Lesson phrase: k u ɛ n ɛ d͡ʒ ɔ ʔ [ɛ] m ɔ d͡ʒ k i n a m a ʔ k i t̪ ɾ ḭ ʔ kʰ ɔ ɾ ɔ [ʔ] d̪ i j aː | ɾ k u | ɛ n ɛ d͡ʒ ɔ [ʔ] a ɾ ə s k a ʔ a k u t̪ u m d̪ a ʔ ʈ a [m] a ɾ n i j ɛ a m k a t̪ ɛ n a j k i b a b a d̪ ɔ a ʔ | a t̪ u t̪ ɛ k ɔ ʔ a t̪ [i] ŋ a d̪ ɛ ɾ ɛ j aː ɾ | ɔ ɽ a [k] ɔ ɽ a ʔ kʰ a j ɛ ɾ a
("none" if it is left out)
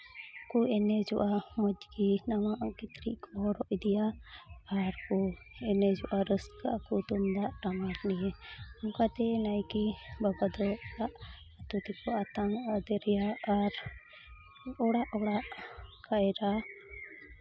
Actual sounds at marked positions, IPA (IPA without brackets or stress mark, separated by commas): a, ʔ, ʔ, m, a, ʔ